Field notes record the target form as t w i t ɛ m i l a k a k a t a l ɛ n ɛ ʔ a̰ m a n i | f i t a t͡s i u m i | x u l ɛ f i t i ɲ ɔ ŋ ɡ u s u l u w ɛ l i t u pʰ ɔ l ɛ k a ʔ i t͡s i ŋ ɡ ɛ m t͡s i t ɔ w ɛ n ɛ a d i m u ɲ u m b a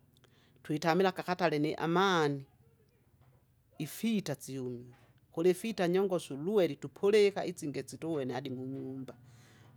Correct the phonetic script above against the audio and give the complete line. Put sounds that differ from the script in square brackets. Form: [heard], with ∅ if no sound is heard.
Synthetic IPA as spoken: t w i t [a] m i l a k a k a t a l ɛ n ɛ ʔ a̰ m a n i | f i t a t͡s i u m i | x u l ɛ f i t [a] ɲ ɔ ŋ ɡ [ɔ] s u l u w ɛ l i t u pʰ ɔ l ɛ k a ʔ i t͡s i ŋ ɡ ɛ [∅] t͡s i t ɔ w ɛ n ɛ a d i m u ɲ u m b a